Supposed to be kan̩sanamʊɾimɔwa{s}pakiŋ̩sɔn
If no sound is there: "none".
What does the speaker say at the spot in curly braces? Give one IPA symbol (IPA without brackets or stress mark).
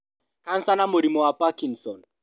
none